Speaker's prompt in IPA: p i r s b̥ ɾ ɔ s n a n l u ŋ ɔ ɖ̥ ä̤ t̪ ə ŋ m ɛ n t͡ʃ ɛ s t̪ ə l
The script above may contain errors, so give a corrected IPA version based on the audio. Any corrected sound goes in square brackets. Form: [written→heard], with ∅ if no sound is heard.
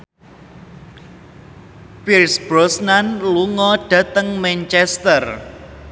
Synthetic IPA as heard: p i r s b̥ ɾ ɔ s n a n l u ŋ ɔ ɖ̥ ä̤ t̪ ə ŋ m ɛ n t͡ʃ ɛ s t̪ ə [l→r]